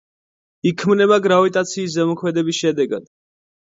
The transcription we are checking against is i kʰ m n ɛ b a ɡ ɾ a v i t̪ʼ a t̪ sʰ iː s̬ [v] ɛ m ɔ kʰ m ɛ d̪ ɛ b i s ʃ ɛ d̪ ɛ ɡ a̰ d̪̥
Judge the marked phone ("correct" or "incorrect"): incorrect